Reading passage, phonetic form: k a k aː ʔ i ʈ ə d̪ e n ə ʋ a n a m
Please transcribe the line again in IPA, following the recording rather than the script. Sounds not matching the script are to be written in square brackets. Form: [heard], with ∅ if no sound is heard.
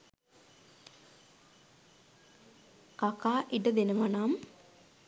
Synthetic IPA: k a k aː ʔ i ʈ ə d̪ e n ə ʋ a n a m

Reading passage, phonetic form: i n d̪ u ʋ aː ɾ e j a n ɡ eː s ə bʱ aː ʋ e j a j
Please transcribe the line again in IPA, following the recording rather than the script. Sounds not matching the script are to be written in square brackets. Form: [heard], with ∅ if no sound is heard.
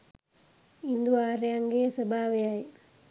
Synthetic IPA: i n d̪ u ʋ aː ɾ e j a [ŋ] ɡ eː s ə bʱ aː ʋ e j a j

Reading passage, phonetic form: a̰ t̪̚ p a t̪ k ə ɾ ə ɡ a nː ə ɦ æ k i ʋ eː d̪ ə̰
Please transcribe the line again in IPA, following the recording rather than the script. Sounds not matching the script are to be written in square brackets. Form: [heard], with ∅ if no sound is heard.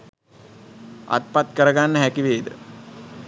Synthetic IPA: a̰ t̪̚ p a t̪ k ə ɾ ə ɡ a nː ə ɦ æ k i ʋ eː d̪ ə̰

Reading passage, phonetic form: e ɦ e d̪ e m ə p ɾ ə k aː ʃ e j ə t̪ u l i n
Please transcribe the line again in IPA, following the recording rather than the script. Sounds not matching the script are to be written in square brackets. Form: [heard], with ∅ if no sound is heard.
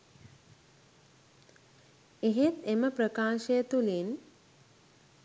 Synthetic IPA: e ɦ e [t̪] e m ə p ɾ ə k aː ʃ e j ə t̪ u l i n

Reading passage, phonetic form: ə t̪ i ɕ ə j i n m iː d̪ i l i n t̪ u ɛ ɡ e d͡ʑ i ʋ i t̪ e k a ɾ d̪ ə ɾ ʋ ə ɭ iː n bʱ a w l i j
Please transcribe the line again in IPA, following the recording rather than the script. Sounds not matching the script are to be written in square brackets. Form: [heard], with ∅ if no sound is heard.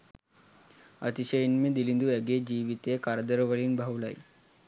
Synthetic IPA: ə t̪ i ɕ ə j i n m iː d̪ i l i n [d̪] u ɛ ɡ e d͡ʑ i ʋ i t̪ e k a ɾ d̪ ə ɾ ʋ ə ɭ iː n bʱ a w l [a] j

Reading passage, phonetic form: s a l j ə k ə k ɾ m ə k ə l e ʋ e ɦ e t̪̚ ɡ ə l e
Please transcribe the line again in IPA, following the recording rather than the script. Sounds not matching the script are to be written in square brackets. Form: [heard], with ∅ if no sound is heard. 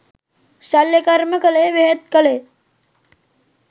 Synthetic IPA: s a l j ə k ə [∅] ɾ m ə k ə l e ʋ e ɦ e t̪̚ [k] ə l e

